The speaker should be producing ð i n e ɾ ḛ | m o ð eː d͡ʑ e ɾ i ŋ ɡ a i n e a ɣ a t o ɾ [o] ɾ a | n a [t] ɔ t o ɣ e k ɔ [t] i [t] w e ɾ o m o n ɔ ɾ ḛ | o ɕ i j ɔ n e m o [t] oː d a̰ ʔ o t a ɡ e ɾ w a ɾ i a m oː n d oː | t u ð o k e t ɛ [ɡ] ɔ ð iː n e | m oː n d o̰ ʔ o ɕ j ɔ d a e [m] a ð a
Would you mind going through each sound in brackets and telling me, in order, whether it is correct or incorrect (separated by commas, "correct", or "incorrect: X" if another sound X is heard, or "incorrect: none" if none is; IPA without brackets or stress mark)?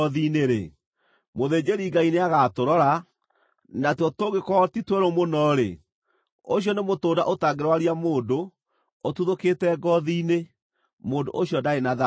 incorrect: ɔ, correct, correct, correct, correct, correct, incorrect: n